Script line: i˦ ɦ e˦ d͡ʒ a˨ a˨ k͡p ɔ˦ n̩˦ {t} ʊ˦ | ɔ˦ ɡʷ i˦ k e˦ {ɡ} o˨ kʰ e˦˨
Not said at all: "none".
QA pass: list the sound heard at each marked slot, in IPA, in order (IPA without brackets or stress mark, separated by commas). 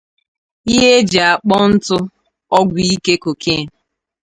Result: t, k